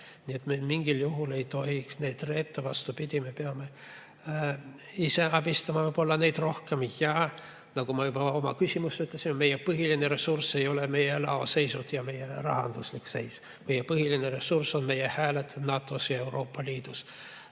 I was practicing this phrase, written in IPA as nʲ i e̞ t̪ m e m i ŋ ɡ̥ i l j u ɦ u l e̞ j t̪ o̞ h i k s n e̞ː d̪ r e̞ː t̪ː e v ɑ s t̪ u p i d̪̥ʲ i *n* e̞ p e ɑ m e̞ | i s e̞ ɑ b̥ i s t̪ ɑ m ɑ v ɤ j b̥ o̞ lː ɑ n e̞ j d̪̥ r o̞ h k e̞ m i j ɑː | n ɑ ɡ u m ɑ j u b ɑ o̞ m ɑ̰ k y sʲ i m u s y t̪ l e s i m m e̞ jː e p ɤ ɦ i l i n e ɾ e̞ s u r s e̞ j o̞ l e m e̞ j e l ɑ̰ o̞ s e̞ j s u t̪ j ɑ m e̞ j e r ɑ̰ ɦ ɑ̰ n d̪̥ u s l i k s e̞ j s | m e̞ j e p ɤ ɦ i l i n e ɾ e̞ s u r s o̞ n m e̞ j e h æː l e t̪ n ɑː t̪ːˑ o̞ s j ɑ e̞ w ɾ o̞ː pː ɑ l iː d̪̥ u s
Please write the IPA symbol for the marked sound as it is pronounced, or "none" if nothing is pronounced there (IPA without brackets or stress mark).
m